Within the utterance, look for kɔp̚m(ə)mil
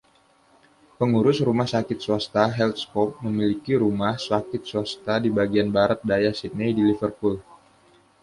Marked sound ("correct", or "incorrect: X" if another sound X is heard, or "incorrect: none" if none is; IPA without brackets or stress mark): correct